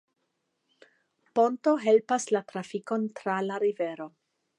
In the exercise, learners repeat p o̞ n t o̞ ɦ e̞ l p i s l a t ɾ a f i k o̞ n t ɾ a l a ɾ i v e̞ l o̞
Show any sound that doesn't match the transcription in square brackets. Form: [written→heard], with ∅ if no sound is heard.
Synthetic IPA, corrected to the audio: p o̞ n t o̞ ɦ e̞ l p [i→a] s l a t ɾ a f i k o̞ n t ɾ a l a ɾ i v e̞ [l→ɾ] o̞